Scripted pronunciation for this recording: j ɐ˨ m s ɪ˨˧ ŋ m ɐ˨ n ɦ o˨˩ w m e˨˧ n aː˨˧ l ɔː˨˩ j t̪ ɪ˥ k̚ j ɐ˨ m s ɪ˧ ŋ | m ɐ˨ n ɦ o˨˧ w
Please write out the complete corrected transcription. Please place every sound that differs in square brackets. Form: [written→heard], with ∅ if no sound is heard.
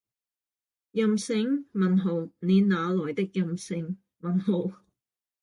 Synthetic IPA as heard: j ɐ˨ m s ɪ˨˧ ŋ m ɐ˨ n ɦ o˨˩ w [m→n] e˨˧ n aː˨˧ l ɔː˨˩ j t̪ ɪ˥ k̚ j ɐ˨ m s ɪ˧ ŋ | m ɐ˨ n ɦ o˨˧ w